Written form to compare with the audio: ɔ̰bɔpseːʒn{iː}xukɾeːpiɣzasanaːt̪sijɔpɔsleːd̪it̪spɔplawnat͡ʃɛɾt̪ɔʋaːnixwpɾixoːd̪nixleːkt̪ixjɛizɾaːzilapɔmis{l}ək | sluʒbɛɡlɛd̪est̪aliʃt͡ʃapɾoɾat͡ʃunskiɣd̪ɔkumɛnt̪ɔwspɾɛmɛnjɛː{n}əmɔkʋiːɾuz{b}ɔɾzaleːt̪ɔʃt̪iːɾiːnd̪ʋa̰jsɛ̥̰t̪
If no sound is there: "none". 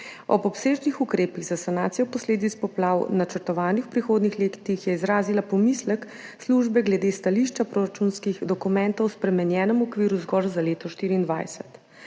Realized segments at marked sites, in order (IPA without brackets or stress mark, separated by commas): i, l, n, ɡ